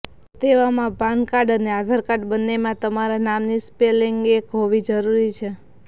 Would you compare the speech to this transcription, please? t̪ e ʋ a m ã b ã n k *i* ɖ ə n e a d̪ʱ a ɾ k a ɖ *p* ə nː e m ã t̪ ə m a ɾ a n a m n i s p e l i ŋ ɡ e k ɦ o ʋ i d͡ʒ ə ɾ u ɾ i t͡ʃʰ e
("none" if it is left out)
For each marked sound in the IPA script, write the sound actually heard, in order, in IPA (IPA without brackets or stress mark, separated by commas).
a, b